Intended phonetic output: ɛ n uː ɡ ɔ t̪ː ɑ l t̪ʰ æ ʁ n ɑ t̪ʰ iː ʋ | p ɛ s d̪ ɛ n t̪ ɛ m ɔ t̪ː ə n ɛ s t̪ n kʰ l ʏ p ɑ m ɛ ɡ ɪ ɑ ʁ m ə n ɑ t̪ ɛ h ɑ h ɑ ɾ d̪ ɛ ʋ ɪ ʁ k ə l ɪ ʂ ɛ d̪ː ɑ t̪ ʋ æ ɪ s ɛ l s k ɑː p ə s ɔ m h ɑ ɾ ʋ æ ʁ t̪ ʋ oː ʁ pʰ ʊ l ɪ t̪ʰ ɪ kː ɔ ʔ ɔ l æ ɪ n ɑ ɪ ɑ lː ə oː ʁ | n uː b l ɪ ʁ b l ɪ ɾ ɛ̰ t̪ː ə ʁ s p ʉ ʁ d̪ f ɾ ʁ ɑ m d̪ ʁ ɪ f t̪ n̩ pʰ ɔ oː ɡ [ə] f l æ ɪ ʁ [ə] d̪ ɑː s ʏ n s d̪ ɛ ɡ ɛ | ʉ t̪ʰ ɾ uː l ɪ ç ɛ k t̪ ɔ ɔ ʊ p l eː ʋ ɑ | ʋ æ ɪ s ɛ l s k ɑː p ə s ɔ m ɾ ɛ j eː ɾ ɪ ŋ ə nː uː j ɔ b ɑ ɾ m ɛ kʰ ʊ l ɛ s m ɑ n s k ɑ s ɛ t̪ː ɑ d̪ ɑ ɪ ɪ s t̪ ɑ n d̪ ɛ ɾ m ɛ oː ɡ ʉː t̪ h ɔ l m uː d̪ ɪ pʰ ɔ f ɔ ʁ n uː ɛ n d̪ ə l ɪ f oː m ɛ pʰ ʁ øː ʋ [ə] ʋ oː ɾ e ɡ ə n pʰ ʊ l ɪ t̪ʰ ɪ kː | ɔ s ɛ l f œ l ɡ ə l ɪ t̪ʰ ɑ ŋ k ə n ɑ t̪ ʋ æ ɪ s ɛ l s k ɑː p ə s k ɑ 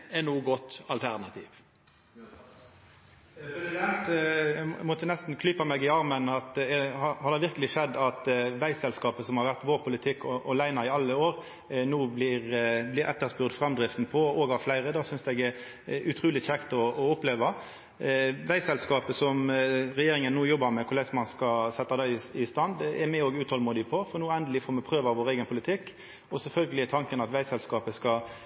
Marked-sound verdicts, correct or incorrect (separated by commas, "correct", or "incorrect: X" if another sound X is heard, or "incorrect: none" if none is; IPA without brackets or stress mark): incorrect: ɑ, correct, incorrect: ɑ